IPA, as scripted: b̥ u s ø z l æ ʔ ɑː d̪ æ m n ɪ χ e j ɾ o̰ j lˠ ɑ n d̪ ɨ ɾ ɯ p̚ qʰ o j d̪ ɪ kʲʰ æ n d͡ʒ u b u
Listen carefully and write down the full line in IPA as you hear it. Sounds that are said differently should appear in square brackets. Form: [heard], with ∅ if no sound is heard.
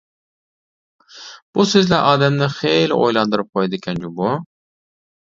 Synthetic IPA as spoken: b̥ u s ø z l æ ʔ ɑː d̪ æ m n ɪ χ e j [l] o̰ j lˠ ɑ n d̪ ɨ ɾ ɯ p̚ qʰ o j d̪ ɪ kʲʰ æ n d͡ʒ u b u